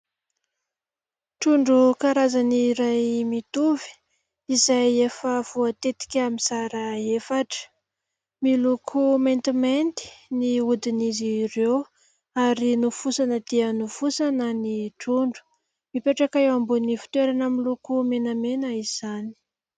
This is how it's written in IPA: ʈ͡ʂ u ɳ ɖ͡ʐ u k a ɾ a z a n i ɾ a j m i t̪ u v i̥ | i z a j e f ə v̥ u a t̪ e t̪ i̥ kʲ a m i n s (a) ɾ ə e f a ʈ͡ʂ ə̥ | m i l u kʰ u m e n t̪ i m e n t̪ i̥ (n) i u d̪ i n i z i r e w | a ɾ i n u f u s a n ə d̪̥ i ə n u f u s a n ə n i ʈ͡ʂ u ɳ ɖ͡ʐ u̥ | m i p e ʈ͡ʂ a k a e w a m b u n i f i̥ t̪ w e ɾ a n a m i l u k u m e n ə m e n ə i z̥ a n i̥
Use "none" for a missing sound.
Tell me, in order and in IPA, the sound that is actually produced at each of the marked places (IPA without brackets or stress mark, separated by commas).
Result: a, n